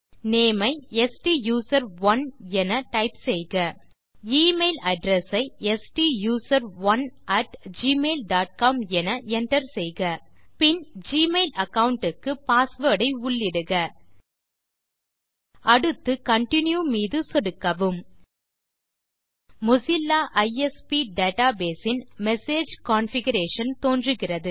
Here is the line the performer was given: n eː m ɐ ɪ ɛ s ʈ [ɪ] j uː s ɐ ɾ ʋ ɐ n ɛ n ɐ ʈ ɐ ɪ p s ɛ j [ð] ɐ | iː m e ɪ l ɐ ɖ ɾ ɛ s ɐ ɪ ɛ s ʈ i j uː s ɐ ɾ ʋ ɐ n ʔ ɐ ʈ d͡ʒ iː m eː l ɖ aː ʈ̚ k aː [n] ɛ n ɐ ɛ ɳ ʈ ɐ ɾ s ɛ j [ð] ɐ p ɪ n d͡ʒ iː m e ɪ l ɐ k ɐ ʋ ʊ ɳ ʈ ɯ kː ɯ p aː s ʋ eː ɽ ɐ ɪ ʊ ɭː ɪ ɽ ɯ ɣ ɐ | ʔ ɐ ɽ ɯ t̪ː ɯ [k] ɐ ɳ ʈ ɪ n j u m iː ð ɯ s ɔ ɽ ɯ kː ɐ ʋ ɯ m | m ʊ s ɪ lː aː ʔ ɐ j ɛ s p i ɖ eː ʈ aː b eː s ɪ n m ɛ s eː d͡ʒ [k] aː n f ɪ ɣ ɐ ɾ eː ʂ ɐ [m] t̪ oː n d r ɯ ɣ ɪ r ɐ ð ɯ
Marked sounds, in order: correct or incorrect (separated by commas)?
incorrect, incorrect, incorrect, incorrect, correct, correct, incorrect